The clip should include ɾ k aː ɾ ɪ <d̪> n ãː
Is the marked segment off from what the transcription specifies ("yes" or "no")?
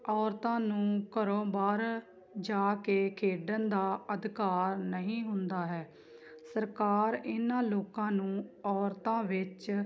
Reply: yes